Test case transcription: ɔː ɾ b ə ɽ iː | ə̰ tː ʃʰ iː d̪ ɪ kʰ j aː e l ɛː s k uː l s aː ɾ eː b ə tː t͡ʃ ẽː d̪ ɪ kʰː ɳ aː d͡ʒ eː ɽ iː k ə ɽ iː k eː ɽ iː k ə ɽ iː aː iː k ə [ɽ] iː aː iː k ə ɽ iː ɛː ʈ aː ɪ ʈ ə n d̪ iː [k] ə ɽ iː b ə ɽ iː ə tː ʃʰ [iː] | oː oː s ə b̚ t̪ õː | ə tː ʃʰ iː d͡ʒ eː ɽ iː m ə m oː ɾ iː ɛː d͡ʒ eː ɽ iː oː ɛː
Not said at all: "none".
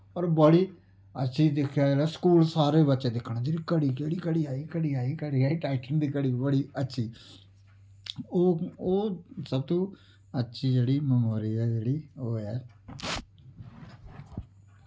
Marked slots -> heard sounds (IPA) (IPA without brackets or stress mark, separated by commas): ɽ, k, iː